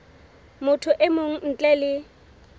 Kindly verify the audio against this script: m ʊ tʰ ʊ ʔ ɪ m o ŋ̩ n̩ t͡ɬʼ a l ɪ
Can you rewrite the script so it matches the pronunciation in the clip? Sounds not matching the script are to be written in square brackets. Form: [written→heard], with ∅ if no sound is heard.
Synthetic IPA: m ʊ tʰ ʊ ʔ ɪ m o ŋ̩ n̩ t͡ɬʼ [a→ɛ] l ɪ